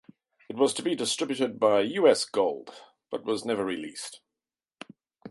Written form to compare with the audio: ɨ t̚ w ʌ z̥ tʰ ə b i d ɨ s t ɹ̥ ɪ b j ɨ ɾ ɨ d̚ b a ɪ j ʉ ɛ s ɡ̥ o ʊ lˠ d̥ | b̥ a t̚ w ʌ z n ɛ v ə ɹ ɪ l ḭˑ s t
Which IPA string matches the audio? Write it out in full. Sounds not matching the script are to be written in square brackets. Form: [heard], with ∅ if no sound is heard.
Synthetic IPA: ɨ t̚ w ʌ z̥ tʰ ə b i d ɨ s t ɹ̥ ɪ b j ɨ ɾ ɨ d̚ b a ɪ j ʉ ɛ s ɡ̥ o ʊ lˠ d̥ | b̥ [ʌ] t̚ w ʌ z n ɛ v ə ɹ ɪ l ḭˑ s t

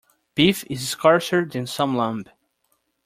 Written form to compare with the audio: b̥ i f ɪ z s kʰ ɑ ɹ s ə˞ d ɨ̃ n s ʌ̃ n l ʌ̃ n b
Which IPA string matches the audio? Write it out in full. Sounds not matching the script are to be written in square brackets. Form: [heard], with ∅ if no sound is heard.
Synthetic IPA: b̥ i f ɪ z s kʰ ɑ ɹ s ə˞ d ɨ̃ n s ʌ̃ [m] l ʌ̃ [m] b

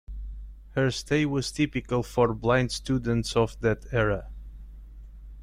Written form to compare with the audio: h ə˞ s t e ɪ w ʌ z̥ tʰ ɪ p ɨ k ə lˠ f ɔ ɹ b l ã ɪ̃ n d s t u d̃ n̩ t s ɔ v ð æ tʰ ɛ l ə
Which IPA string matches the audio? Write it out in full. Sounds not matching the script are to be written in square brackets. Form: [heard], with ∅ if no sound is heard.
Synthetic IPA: h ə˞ s t e ɪ w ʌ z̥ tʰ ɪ p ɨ k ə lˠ f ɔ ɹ b l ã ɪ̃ n d s t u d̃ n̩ t s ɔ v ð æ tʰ ɛ [ɹ] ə

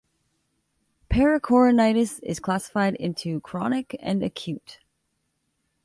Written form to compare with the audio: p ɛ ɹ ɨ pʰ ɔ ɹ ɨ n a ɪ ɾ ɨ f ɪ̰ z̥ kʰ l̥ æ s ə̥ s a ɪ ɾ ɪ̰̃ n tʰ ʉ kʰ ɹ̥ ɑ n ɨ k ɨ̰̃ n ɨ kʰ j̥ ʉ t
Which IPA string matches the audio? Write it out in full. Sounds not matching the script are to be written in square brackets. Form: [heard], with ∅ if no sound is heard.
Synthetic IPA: [pʰ] ɛ ɹ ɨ [kʰ] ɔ ɹ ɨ n a ɪ ɾ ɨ [s] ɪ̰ z̥ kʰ l̥ æ s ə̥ [f] a ɪ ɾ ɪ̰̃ n tʰ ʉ kʰ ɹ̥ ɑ n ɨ k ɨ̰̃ n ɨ kʰ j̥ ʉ t

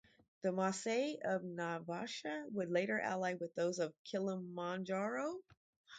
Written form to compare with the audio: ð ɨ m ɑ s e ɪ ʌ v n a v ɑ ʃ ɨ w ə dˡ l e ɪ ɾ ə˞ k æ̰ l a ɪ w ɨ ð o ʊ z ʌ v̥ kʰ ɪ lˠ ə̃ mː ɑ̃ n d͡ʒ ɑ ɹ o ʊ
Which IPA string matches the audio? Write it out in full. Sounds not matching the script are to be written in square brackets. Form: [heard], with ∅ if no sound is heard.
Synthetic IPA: ð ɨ m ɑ s e ɪ ʌ v n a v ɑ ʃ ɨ w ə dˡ l e ɪ ɾ ə˞ [ʔ] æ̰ l a ɪ w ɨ ð o ʊ z ʌ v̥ kʰ ɪ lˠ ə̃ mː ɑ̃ n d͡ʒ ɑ ɹ o ʊ

